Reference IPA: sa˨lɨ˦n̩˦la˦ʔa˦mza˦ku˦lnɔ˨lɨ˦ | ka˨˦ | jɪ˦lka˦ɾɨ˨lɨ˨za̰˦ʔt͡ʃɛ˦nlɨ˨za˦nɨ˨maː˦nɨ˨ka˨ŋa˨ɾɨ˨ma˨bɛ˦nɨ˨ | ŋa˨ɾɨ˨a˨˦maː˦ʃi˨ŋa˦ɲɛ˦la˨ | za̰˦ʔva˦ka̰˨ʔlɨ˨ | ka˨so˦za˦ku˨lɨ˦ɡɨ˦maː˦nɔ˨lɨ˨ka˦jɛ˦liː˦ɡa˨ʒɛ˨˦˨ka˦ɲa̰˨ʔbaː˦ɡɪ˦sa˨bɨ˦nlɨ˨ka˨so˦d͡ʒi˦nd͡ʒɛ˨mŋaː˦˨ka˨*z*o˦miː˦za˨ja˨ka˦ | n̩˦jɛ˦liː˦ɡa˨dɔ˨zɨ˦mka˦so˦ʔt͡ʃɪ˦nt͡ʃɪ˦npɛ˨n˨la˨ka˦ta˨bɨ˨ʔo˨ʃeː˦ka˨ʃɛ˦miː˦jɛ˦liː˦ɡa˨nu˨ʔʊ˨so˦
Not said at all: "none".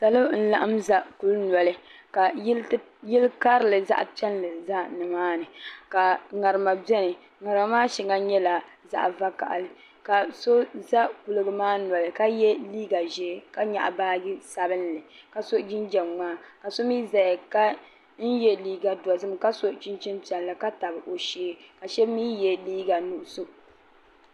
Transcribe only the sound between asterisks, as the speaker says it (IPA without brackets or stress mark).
s